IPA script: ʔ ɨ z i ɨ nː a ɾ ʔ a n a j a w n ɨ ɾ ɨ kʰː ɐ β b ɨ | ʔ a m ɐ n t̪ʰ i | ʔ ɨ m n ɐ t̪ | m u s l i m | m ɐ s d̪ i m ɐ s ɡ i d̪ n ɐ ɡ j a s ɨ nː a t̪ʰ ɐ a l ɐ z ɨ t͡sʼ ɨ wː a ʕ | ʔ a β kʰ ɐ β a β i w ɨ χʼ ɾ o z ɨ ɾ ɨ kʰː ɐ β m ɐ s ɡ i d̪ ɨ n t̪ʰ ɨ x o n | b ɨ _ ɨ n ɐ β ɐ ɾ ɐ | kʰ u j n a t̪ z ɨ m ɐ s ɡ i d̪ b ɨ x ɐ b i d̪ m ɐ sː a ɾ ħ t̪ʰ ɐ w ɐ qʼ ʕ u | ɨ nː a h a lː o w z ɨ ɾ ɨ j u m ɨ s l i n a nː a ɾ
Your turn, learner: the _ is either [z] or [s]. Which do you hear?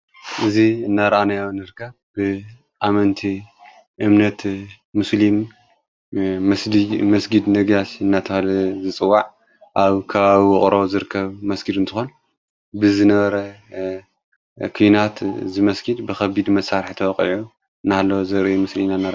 z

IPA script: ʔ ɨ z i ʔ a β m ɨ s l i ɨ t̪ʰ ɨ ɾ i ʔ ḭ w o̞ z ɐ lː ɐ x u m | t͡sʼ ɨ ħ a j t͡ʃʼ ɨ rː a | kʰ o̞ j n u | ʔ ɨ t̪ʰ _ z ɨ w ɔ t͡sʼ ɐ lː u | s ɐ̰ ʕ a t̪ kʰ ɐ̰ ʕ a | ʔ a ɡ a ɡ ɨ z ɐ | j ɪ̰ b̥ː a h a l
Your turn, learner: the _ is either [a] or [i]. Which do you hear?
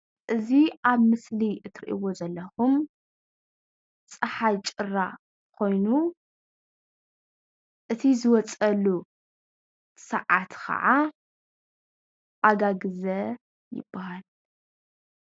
i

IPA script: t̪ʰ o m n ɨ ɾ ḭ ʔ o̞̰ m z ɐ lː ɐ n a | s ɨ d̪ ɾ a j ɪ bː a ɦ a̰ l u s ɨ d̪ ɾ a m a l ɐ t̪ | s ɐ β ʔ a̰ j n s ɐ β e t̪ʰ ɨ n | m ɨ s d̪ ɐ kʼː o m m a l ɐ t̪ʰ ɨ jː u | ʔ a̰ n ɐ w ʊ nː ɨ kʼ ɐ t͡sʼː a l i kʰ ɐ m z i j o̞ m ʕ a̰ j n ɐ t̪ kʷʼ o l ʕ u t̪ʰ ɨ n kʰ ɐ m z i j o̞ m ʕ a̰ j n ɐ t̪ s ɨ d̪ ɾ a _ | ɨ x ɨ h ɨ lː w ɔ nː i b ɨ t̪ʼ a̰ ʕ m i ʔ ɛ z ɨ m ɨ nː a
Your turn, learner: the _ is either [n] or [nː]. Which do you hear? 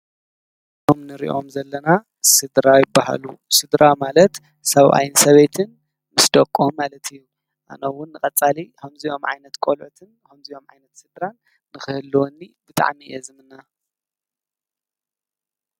nː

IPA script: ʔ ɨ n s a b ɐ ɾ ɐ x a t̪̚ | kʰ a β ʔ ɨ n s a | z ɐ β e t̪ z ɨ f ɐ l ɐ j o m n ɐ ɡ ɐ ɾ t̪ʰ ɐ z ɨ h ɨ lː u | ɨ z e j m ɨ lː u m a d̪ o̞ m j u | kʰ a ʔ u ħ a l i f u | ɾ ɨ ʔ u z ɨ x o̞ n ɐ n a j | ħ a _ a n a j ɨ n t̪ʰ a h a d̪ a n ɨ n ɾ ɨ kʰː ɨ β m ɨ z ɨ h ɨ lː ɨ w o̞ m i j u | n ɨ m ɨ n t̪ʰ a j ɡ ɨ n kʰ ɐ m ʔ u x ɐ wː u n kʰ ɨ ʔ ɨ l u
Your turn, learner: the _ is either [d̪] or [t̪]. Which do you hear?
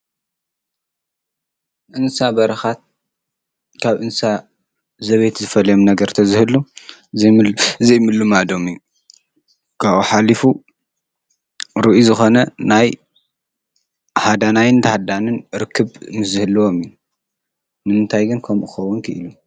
d̪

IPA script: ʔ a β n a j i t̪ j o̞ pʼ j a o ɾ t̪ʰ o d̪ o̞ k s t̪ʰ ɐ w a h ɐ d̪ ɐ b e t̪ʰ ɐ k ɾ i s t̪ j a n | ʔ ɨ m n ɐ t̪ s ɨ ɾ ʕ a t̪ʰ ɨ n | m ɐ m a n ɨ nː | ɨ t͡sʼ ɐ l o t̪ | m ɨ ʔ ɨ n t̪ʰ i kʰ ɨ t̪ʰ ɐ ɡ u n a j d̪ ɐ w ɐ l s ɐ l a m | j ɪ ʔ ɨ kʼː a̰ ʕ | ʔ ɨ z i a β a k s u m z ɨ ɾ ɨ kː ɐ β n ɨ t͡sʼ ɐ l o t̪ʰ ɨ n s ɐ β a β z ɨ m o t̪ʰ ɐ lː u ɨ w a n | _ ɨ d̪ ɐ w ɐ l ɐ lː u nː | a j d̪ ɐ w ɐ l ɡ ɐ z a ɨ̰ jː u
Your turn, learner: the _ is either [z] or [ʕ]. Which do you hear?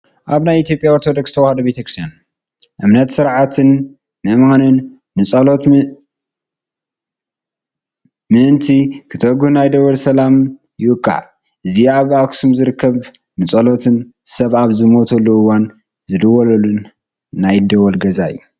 z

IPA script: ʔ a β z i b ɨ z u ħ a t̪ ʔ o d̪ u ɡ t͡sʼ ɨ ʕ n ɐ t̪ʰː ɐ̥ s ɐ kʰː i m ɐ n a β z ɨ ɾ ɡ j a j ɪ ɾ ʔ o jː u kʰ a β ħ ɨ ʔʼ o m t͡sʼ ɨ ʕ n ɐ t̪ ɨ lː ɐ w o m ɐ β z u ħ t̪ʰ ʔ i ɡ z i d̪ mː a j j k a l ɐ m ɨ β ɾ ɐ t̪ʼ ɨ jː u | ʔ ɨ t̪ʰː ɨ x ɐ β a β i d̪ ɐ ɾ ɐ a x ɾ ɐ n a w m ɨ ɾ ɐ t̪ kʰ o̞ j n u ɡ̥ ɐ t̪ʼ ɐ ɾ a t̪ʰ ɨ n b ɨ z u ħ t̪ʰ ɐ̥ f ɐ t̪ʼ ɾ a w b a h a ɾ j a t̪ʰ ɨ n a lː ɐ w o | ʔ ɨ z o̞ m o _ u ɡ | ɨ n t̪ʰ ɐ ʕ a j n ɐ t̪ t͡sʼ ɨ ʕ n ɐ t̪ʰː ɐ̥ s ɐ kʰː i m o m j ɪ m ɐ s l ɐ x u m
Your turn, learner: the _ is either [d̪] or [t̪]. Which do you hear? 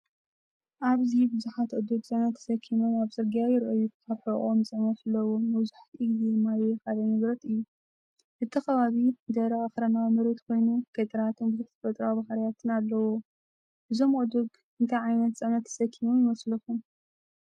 d̪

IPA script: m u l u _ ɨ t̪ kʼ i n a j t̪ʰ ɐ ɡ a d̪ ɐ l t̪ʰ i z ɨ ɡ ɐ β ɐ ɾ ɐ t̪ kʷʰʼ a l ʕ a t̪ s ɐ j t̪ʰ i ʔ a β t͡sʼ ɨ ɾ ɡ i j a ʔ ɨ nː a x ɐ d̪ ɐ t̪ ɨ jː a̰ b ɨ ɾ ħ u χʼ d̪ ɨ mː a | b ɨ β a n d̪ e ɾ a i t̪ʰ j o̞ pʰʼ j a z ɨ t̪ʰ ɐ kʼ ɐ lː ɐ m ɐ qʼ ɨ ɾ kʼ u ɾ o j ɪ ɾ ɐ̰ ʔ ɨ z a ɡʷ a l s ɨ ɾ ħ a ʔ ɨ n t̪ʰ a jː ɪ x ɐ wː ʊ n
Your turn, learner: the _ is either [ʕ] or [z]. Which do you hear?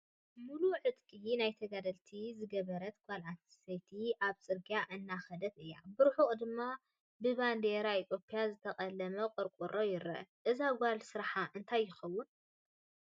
ʕ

